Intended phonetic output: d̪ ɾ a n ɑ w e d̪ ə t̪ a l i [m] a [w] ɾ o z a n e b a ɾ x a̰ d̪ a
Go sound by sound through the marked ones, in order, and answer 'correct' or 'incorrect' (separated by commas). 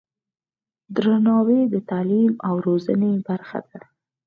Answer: correct, correct